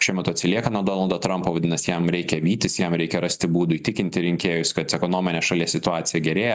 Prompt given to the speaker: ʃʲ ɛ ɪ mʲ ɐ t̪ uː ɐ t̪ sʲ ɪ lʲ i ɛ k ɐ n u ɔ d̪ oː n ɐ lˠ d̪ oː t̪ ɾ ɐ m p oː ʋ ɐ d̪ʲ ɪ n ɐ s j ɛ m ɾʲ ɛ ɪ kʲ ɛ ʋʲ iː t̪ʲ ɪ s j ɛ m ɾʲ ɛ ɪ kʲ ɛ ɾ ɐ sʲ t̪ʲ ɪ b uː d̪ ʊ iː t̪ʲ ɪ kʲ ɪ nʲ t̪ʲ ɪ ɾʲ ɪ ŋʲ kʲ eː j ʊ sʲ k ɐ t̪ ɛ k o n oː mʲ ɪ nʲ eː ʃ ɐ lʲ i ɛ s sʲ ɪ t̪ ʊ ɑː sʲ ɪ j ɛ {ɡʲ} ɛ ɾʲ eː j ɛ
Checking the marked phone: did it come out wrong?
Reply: no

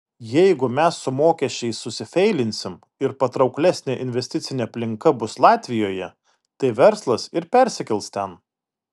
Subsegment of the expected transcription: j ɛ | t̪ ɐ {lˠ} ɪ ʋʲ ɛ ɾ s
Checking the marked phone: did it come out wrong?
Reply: yes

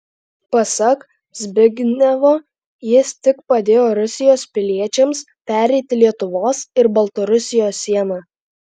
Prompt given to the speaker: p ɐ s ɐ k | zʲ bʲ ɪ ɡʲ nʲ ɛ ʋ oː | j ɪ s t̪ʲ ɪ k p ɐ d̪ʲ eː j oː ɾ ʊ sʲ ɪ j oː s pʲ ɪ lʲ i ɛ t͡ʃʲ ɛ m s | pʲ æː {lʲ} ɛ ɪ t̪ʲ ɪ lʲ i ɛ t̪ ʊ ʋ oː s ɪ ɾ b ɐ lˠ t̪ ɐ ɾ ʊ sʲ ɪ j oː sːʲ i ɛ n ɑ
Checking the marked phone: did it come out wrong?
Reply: yes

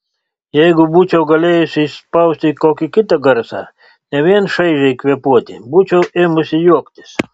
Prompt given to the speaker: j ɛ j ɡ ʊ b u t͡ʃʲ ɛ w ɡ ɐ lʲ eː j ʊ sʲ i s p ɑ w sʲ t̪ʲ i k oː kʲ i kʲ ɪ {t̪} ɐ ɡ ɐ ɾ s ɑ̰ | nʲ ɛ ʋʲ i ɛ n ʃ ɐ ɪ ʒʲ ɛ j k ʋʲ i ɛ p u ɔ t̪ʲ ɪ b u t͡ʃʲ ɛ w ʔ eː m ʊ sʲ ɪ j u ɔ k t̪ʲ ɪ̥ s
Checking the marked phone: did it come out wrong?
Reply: no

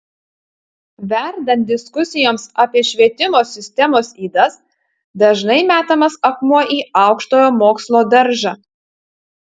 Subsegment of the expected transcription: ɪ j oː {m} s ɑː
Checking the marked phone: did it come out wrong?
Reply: no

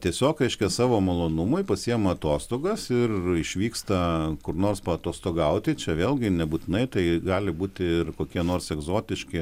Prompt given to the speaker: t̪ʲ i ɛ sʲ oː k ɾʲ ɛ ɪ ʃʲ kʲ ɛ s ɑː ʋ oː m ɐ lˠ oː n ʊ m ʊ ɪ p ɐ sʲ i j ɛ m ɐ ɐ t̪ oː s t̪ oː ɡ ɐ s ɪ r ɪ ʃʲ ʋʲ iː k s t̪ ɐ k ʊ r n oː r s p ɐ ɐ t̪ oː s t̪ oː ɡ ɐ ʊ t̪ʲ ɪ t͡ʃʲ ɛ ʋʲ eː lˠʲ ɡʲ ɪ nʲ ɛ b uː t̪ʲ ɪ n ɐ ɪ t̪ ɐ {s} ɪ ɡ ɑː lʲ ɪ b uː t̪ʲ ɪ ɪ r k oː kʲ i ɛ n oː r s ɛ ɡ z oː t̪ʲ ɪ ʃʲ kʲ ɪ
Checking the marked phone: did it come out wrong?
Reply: yes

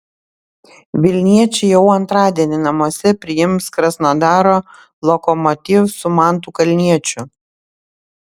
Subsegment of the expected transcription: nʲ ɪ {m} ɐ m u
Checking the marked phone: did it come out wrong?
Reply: yes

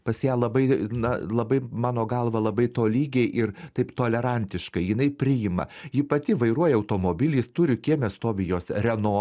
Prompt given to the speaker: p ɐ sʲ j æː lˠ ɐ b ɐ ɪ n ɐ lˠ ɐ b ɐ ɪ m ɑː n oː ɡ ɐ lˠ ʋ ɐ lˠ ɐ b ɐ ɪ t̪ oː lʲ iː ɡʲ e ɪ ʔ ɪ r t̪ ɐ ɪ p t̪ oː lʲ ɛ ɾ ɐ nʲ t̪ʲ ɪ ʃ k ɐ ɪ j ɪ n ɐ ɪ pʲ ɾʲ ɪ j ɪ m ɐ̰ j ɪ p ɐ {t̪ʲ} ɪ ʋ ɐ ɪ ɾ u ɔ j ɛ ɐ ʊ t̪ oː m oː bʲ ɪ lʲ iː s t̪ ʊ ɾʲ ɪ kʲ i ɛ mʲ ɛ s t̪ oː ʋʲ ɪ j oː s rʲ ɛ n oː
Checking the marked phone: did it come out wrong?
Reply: no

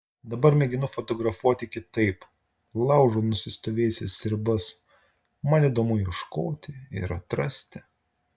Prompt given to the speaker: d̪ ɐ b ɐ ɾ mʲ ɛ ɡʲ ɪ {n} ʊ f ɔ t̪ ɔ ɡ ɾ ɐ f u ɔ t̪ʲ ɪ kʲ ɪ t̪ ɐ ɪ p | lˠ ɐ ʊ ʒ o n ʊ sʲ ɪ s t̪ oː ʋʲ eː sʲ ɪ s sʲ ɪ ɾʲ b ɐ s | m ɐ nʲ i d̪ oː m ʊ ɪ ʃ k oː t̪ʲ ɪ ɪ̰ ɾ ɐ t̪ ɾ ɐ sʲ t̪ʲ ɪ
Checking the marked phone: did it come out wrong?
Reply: no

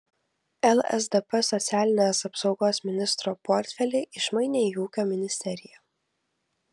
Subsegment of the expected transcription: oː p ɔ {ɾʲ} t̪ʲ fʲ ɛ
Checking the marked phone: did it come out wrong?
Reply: no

